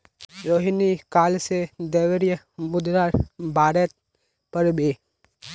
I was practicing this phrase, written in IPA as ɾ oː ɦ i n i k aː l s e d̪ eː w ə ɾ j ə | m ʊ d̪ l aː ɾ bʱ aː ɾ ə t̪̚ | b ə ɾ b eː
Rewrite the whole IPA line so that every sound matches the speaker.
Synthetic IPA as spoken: ɾ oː ɦ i n i k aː l s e d̪ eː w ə ɾ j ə | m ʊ d̪ ɾ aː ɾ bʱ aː ɾ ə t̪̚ | p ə ɾ b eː